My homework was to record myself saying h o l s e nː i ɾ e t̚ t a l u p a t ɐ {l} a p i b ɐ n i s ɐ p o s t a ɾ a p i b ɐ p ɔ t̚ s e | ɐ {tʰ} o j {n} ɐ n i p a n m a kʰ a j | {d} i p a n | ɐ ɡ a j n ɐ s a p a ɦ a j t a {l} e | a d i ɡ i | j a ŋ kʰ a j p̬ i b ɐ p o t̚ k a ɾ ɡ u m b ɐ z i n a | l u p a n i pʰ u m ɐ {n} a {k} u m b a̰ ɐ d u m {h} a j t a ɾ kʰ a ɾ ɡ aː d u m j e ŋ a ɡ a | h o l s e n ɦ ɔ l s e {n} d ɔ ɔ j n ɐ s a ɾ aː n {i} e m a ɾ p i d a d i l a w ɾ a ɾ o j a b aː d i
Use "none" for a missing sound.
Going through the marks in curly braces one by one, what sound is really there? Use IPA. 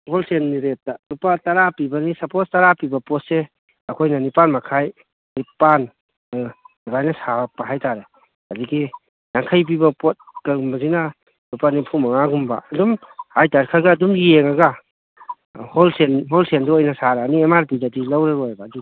ɾ, kʰ, n, n, ɾ, ŋ, ɡ, h, n, i

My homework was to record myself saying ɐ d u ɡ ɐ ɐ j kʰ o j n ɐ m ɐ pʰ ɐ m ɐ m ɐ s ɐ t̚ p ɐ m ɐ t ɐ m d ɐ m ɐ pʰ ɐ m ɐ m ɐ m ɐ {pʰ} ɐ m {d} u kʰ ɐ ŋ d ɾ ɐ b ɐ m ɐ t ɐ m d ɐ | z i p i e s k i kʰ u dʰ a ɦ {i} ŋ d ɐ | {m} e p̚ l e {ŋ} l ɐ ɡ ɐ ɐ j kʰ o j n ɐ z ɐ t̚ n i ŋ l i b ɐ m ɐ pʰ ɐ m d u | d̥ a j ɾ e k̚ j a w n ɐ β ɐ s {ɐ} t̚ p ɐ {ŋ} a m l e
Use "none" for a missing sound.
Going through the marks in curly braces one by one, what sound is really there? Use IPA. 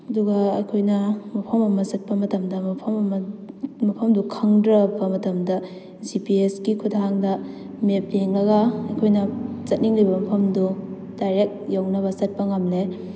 pʰ, d, a, m, ŋ, ɐ, ŋ

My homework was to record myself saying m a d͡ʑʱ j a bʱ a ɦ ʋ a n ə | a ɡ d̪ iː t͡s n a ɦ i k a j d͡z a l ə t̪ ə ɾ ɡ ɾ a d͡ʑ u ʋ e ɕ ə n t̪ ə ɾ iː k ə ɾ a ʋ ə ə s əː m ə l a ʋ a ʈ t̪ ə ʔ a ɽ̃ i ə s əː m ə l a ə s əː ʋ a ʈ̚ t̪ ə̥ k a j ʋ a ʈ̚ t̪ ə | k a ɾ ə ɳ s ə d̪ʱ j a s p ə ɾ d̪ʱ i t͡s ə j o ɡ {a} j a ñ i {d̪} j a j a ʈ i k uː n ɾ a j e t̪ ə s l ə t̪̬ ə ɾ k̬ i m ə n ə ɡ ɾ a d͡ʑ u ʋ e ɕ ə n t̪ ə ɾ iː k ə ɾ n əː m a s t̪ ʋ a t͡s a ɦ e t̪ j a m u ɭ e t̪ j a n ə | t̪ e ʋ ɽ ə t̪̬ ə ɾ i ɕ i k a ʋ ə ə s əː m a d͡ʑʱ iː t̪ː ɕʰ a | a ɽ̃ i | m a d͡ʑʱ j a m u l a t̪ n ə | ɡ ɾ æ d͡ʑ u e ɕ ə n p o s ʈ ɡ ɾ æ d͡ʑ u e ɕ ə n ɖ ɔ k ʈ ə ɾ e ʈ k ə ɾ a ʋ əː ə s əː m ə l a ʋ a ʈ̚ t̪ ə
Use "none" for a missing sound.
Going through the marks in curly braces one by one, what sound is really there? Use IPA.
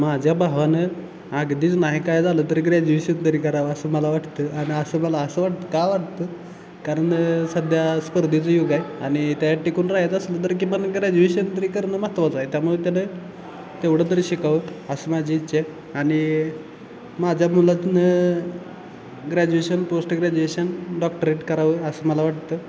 a, t̪

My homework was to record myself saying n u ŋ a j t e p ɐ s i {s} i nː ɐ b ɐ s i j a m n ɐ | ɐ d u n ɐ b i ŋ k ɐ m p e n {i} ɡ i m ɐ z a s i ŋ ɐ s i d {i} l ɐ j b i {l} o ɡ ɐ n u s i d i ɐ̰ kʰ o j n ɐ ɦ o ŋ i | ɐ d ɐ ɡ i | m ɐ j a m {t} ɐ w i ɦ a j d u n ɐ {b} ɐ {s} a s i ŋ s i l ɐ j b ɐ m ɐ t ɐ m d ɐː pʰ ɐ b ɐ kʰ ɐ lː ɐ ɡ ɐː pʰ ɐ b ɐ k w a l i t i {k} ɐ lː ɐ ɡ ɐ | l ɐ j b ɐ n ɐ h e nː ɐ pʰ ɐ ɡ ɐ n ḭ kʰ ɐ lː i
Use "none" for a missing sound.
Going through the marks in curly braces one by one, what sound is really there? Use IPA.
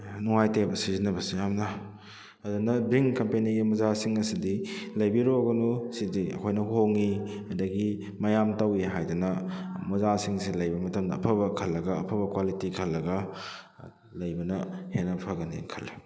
z, i, i, ɾ, t, m, z, kʰ

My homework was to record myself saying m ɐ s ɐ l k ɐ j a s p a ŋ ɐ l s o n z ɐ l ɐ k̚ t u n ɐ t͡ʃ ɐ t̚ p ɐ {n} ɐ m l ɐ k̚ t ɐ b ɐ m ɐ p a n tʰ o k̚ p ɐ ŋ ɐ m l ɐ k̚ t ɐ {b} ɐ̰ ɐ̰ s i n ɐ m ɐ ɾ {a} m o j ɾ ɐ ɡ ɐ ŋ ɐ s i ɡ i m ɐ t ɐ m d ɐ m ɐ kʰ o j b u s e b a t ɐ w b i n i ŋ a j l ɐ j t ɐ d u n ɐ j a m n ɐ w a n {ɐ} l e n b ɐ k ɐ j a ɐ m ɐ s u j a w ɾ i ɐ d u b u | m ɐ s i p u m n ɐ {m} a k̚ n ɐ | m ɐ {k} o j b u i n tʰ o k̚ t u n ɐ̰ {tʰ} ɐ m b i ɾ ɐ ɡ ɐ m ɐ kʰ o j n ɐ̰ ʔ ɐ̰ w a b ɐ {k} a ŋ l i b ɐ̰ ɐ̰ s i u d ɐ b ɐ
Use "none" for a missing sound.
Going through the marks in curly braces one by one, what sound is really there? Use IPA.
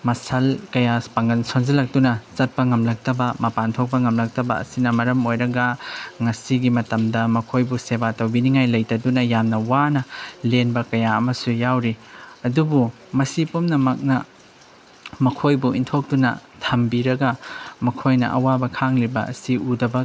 ŋ, b, ɐ, ɐ, m, kʰ, tʰ, kʰ

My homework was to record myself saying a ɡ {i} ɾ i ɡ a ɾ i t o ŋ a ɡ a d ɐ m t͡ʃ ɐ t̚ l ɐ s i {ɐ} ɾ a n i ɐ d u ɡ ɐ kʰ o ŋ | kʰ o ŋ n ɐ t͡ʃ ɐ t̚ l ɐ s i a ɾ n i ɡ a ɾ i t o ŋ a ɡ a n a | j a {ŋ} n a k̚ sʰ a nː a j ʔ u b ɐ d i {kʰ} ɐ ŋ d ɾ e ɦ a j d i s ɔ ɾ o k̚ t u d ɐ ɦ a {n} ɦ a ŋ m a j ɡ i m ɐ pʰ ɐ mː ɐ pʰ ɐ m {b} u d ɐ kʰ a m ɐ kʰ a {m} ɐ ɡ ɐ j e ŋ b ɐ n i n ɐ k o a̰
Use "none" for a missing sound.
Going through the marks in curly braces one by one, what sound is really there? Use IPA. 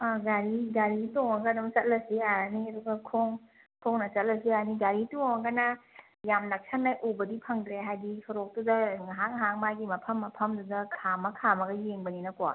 a, a, m, pʰ, ŋ, d, m

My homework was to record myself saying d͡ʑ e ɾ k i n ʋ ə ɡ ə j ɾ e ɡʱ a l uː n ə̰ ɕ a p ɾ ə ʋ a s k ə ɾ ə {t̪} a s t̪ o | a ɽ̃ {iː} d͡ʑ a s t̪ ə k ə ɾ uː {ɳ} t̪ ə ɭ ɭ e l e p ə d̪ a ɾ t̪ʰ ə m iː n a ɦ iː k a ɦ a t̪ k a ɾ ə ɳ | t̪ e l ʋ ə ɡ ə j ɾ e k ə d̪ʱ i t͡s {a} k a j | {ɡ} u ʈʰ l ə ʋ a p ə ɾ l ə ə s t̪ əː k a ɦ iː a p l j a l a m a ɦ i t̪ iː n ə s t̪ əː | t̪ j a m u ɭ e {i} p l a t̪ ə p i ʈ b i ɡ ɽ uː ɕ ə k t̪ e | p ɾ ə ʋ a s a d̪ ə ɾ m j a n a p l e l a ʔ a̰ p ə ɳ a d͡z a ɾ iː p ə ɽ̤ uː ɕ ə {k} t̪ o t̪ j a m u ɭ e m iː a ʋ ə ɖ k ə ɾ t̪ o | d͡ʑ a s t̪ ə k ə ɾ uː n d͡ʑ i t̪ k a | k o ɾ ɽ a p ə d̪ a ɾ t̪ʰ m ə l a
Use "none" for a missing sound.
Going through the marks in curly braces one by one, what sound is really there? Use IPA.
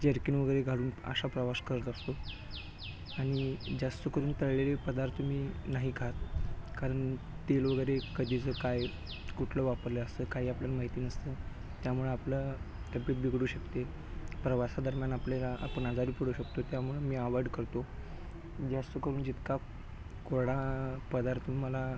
t̪, i, n, ə, k, a, k

